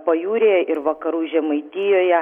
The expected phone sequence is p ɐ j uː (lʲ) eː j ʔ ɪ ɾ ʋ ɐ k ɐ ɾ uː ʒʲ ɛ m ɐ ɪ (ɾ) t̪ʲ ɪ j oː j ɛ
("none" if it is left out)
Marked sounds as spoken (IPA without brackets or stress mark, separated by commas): ɾʲ, none